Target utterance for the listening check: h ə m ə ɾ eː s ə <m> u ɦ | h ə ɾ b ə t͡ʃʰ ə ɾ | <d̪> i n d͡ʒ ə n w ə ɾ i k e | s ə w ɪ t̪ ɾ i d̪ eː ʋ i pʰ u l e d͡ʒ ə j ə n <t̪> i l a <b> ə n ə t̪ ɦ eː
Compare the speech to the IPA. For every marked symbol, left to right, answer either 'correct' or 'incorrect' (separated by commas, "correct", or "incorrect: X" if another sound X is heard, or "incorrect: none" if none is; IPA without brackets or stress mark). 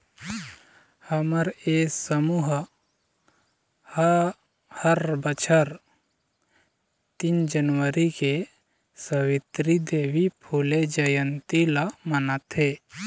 correct, incorrect: t̪, correct, incorrect: m